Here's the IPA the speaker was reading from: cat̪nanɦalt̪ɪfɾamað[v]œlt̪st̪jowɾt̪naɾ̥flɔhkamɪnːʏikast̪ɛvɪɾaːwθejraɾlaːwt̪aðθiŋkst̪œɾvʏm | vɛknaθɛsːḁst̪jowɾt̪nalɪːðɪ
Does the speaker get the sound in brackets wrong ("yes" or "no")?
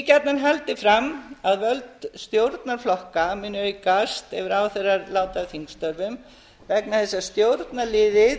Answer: no